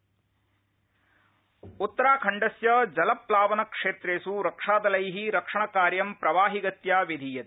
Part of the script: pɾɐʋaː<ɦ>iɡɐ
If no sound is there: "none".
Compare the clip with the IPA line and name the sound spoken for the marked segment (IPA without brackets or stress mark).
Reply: ɦ